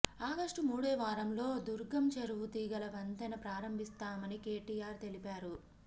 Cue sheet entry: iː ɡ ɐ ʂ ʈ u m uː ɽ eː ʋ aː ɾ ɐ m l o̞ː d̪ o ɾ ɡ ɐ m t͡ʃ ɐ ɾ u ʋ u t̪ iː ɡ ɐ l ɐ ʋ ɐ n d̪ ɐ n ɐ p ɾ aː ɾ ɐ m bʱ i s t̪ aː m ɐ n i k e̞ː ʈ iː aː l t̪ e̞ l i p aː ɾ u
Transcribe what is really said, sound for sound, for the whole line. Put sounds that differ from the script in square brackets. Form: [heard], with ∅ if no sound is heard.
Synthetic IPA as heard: [aː] ɡ ɐ ʂ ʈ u m uː ɽ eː ʋ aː ɾ ɐ m l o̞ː d̪ [u] ɾ ɡ ɐ m t͡ʃ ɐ ɾ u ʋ u t̪ iː ɡ ɐ l ɐ ʋ ɐ n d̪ ɐ n ɐ p ɾ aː ɾ ɐ m bʱ i s t̪ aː m ɐ n i k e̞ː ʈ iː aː [ɾ] t̪ e̞ l i p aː ɾ u